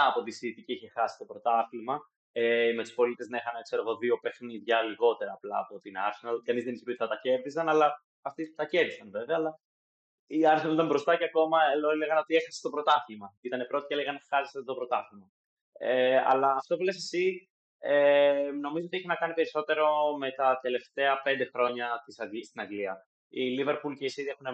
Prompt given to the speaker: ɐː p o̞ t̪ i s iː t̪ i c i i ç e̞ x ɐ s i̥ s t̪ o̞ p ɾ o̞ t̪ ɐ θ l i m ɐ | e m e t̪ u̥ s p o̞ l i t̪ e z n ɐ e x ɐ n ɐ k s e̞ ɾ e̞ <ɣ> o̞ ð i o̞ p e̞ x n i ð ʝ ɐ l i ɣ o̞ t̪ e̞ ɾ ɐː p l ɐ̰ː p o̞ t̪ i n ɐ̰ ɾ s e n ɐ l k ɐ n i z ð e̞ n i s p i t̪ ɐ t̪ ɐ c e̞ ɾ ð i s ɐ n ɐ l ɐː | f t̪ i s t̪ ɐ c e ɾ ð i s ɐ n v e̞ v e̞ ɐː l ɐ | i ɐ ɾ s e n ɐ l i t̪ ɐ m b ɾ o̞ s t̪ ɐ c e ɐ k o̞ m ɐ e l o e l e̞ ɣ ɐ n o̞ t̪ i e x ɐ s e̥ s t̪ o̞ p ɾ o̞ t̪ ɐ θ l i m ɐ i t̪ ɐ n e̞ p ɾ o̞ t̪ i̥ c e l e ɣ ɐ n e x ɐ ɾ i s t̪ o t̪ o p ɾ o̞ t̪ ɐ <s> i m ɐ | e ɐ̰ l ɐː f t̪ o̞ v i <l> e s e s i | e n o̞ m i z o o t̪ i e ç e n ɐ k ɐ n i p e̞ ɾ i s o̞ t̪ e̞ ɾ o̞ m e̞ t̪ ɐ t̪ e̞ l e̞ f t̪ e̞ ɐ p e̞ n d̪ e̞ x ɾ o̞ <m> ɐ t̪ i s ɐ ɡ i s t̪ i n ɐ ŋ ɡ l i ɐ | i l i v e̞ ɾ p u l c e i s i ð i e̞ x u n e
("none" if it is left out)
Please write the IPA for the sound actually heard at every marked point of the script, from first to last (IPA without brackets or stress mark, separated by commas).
ɣ, θ, l, ɲ